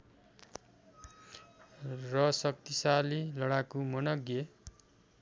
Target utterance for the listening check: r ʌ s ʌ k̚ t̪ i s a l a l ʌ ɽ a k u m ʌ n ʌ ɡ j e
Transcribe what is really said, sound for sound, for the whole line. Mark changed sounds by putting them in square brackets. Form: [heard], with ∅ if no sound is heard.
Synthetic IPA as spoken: r ʌ s ʌ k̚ t̪ i s a l [i] l ʌ ɽ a k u m ʌ n ʌ ɡ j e